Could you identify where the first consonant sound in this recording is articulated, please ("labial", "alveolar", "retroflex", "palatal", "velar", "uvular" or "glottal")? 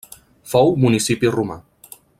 labial